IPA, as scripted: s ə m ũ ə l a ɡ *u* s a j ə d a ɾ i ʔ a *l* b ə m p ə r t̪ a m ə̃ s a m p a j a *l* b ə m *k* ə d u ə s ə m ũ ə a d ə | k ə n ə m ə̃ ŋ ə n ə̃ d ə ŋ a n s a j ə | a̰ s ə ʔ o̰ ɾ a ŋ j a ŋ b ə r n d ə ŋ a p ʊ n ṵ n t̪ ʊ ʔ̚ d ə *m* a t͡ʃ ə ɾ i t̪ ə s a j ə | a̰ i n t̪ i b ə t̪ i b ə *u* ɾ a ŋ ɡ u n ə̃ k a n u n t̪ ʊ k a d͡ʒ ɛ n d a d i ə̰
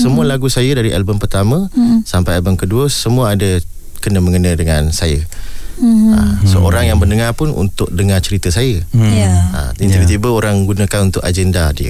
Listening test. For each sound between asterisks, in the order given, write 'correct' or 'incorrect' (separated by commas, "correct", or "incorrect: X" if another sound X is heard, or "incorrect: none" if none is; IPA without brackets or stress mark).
correct, correct, correct, correct, incorrect: ŋ, incorrect: o